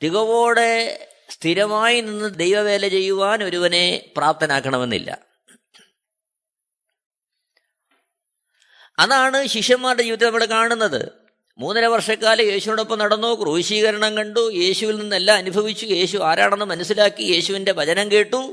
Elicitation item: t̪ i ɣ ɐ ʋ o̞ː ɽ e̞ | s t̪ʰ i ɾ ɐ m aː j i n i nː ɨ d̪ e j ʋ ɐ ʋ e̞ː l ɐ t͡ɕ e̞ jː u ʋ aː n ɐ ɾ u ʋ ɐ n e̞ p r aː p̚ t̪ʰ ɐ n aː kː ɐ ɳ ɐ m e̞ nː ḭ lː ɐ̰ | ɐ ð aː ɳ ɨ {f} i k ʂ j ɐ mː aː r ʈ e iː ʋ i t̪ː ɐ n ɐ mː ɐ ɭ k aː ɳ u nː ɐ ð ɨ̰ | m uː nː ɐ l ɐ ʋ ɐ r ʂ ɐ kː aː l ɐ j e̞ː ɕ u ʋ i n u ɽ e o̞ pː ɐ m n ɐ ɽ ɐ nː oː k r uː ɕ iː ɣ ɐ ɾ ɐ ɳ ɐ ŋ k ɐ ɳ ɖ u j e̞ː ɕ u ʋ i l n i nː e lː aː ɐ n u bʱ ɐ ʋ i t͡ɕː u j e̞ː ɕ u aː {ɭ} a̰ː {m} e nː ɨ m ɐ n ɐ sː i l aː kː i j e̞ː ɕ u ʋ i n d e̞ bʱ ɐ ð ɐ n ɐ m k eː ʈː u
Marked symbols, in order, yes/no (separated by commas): no, no, no